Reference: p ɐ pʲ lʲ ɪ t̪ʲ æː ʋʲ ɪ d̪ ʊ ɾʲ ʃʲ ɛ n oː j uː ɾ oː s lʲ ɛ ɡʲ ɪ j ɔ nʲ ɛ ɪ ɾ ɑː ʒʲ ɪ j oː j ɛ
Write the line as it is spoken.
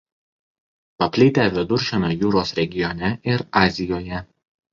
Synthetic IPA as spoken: p ɐ pʲ lʲ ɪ t̪ʲ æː ʋʲ ɪ d̪ ʊ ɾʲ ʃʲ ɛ n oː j uː ɾ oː s ɾʲ ɛ ɡʲ ɪ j ɔ nʲ ɛ ɪ ɾ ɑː zʲ ɪ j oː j ɛ